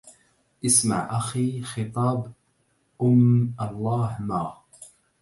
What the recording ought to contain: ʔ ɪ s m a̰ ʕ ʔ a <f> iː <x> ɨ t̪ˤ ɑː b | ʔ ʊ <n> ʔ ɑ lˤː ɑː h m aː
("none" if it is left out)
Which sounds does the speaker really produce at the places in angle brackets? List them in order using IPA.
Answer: x, x, m

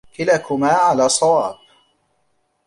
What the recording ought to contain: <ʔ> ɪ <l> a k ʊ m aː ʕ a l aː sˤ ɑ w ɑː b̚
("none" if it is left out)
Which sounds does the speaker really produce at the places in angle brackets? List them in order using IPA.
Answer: k, l

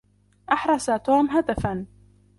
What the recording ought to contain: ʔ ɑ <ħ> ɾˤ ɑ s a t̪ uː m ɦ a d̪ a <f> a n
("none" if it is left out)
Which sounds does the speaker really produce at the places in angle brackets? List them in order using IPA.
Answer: ħ, f

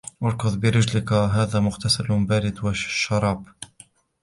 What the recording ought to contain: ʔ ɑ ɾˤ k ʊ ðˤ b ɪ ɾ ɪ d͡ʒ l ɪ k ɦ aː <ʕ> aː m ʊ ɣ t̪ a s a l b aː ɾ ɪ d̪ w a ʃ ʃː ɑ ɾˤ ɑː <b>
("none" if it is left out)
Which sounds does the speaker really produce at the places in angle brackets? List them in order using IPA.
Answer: ð, b

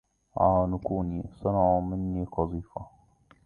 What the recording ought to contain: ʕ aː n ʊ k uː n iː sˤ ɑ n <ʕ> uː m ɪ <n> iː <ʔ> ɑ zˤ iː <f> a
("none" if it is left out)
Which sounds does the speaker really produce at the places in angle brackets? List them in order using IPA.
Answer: ʕ, nː, q, f

